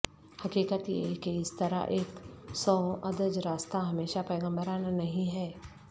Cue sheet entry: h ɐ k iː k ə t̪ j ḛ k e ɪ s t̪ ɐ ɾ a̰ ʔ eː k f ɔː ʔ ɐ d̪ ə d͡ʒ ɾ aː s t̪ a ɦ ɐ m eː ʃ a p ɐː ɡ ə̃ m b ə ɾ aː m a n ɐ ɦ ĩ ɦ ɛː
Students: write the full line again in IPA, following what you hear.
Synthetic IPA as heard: h ɐ k iː k ə t̪ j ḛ k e ɪ s t̪ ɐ ɾ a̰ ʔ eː k s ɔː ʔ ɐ d̪ ə d͡ʒ ɾ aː s t̪ a ɦ ɐ m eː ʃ a p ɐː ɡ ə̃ m b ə ɾ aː n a n ɐ ɦ ĩ ɦ ɛː